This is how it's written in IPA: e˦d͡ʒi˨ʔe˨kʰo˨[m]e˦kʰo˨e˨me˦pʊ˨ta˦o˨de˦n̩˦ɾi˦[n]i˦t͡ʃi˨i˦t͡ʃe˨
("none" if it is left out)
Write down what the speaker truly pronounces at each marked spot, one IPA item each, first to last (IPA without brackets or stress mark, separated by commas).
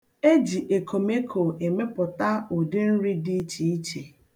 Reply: m, d